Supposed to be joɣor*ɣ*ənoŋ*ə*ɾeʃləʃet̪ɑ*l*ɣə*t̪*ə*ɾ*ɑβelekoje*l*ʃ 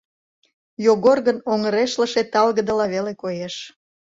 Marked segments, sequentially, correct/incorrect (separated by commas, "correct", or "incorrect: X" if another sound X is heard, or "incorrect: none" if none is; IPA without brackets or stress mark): correct, correct, correct, incorrect: d̪, incorrect: l, incorrect: none